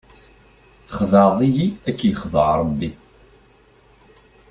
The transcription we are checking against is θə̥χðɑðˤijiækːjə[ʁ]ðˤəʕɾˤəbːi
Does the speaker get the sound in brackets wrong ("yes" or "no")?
yes